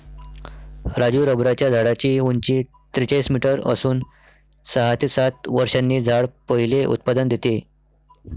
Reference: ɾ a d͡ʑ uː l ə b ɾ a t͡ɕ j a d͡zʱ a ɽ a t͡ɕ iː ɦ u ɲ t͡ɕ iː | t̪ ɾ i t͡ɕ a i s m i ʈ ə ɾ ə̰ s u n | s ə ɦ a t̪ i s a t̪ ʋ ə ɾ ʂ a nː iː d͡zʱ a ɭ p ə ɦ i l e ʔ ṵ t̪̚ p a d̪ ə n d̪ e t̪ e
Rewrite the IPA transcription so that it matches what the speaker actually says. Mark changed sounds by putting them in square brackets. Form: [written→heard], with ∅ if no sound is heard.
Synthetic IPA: ɾ a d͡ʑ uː [l→ɾ] ə b ɾ a t͡ɕ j a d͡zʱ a ɽ a t͡ɕ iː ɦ u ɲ t͡ɕ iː | t̪ ɾ i t͡ɕ a i s m i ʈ ə ɾ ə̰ s [u→uː] n | s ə ɦ a t̪ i s a t̪ ʋ ə ɾ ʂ a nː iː d͡zʱ a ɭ p ə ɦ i l e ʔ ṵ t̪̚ p a d̪ ə n d̪ e t̪ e

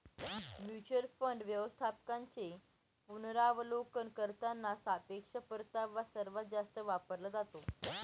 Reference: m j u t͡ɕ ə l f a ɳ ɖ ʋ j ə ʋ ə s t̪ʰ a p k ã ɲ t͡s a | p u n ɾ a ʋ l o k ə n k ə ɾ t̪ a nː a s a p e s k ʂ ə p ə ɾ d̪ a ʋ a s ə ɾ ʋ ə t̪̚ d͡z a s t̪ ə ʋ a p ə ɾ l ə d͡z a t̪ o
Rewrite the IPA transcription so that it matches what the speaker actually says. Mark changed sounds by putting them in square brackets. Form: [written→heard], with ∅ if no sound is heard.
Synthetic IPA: m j u t͡ɕ ə l f [a→ə] ɳ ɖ ʋ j ə ʋ ə s t̪ʰ a p k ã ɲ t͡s [a→e] | p u n ɾ a ʋ l o k ə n k ə ɾ t̪ a nː a s a p e [s→∅] k ʂ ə p ə ɾ [d̪→t̪] a ʋ a s ə ɾ ʋ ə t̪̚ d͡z a s t̪ ə ʋ a p ə ɾ l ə d͡z a t̪ o

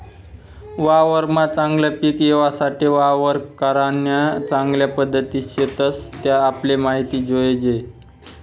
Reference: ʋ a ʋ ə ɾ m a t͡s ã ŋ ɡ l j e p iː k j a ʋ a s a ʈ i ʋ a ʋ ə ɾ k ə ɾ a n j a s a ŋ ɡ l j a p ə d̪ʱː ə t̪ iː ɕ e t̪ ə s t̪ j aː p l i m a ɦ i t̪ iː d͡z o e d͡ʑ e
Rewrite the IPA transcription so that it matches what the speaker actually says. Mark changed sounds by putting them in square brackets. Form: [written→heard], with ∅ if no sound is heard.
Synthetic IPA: ʋ a ʋ ə ɾ m a t͡s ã ŋ ɡ l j [e→a] p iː k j [a→e] ʋ a s a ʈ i ʋ a ʋ ə ɾ k ə ɾ a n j a [s→t͡s] a ŋ ɡ l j a p ə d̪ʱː ə t̪ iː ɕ e t̪ ə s t̪ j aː p l [i→e] m a ɦ i t̪ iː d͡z o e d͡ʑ e

